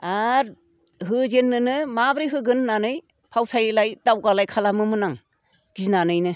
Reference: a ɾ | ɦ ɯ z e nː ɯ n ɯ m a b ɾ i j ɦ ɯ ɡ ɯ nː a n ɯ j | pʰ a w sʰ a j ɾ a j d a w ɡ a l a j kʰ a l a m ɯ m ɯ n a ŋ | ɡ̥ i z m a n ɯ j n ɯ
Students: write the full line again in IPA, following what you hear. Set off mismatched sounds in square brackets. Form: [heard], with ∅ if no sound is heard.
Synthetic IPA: a ɾ | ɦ ɯ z e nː ɯ n ɯ m a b ɾ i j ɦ ɯ ɡ ɯ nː a n ɯ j | pʰ a w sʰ a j [l] a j d a w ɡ a l a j kʰ a l a m ɯ m ɯ n a ŋ | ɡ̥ i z [n] a n ɯ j n ɯ

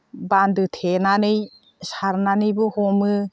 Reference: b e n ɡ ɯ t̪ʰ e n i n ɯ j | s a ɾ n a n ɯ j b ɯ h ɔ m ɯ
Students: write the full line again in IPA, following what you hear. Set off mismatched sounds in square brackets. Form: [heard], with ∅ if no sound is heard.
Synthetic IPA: b [a] n [d] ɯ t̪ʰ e n [a] n ɯ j | s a ɾ n a n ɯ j b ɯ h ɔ m ɯ

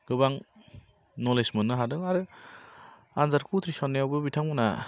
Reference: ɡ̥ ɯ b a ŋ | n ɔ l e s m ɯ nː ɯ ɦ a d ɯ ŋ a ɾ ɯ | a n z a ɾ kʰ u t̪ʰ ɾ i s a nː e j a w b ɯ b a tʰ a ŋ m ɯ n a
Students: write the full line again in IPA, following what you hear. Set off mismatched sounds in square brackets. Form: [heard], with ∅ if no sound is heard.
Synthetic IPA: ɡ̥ ɯ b a ŋ | n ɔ l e s m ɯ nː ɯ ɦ a d ɯ ŋ a ɾ ɯ | a n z a ɾ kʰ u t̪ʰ ɾ i s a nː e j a w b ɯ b [i] tʰ a ŋ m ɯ n a

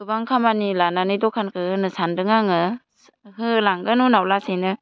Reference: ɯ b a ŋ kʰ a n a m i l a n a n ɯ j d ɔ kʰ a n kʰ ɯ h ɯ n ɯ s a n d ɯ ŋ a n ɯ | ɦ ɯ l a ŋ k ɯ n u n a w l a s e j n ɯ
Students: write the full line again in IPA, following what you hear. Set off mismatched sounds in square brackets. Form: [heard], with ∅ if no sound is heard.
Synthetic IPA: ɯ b a ŋ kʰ a [m] a [n] i l a n a n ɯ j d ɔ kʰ a n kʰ ɯ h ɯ n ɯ s a n d ɯ ŋ a [ŋ] ɯ | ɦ ɯ l a ŋ [ɡ] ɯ n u n a w l a s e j n ɯ

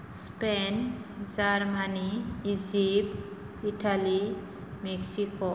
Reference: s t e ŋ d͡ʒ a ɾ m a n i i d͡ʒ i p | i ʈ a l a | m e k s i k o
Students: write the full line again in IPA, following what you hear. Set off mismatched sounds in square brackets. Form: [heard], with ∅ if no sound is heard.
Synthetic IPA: s [p] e [n] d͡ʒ a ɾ m a n i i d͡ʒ i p | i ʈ a l [i] | m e k s i k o

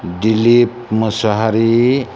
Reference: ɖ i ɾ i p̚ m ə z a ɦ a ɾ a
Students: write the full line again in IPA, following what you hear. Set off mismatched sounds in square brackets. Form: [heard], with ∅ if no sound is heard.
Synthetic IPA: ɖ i [l] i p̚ m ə [s] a ɦ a ɾ [i]

